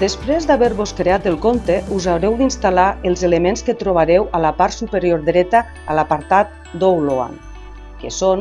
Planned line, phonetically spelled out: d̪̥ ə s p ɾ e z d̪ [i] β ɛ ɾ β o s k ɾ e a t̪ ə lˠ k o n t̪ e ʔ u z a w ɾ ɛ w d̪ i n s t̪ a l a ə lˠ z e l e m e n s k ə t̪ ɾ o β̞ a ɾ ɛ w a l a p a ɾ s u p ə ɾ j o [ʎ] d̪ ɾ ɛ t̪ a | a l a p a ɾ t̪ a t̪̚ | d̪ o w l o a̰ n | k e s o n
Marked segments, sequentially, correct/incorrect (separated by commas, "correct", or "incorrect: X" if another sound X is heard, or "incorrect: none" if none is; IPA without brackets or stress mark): incorrect: a, incorrect: ɾ